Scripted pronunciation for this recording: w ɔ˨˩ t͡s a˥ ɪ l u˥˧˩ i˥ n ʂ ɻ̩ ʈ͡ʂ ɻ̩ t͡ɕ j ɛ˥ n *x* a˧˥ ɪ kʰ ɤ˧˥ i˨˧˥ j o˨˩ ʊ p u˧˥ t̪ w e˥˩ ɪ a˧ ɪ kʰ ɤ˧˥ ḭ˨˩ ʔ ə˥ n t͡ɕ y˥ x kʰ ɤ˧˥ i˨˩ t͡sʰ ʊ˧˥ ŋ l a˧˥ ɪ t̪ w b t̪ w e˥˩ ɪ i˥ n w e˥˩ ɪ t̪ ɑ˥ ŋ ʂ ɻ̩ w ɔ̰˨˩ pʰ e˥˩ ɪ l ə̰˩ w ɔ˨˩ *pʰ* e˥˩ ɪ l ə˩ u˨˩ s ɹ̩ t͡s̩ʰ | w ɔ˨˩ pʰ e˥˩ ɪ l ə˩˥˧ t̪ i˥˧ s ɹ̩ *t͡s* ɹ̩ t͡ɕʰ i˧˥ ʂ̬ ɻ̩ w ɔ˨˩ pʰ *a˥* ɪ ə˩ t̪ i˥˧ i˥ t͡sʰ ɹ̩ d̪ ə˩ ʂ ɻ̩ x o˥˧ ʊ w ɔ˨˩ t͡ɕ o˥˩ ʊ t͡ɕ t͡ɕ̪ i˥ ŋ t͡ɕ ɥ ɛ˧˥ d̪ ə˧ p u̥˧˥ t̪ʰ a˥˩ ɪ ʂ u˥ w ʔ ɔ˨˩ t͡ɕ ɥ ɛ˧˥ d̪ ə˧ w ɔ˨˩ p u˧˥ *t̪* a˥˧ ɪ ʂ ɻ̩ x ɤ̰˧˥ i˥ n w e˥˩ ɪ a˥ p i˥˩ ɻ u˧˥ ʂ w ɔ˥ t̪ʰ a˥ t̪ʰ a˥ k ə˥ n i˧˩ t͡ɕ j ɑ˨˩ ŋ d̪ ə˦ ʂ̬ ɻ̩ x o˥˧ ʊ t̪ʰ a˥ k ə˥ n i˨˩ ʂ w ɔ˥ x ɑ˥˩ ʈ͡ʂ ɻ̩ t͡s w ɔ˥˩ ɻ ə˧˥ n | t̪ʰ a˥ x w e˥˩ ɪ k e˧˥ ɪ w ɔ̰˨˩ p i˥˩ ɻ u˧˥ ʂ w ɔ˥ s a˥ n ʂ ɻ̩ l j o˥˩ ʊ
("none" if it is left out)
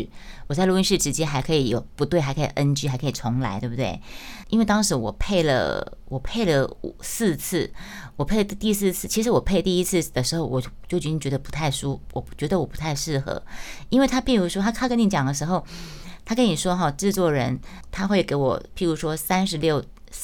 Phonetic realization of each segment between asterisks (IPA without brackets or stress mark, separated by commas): x, pʰ, t͡sʰ, e˥, t̪ʰ